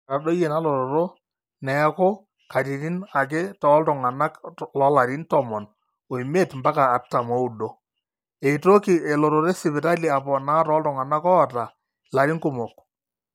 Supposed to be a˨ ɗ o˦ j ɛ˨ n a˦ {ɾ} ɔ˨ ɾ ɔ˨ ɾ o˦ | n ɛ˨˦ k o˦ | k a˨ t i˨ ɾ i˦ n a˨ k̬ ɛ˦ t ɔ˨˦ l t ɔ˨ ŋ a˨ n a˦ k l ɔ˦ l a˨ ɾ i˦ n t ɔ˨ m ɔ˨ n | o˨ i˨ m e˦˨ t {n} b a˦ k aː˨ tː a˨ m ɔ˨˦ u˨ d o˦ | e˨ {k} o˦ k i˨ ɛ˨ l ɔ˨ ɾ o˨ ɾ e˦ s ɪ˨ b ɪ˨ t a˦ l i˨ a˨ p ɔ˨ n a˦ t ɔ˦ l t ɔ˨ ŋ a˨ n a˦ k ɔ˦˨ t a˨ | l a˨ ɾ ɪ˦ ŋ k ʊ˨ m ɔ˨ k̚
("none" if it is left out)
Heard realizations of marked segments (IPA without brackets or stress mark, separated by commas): l, m, t